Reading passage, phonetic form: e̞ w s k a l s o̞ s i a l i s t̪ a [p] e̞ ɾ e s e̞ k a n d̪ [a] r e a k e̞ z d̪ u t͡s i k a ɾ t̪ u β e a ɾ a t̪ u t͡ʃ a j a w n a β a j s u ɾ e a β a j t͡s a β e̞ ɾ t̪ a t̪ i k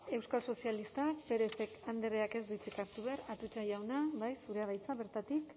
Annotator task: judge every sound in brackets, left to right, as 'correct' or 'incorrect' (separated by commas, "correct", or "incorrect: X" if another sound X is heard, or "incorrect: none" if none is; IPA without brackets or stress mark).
correct, incorrect: e